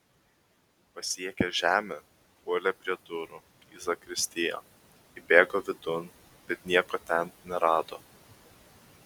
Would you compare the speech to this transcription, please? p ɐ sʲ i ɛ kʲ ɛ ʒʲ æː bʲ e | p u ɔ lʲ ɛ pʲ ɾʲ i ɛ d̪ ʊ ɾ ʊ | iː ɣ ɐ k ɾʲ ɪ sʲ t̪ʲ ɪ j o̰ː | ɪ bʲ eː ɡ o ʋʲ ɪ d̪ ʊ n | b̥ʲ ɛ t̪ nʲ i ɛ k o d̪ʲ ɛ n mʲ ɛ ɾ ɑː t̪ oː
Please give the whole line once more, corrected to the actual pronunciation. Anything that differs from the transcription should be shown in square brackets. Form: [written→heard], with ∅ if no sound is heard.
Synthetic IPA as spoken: p ɐ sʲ i ɛ kʲ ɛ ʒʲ æː [bʲ→mʲ] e | p u ɔ lʲ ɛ pʲ ɾʲ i ɛ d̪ ʊ ɾ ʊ | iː [ɣ→z] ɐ k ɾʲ ɪ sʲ t̪ʲ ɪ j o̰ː | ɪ bʲ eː ɡ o ʋʲ ɪ d̪ ʊ n | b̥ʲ ɛ t̪ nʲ i ɛ k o [d̪ʲ→t̪ʲ] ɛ n [mʲ→nʲ] ɛ ɾ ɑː [t̪→d̪] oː